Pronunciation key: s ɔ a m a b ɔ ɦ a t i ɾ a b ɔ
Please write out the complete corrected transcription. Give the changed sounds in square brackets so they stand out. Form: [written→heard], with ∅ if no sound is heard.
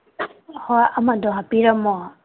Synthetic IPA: [s→h] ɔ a m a [b→d] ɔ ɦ a [t→p] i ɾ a [b→m] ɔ